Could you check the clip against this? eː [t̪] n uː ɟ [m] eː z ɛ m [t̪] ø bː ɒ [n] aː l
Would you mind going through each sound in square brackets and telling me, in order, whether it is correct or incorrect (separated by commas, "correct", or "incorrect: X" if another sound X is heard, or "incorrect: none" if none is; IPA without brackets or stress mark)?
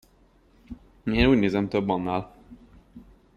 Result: incorrect: none, incorrect: n, correct, incorrect: nː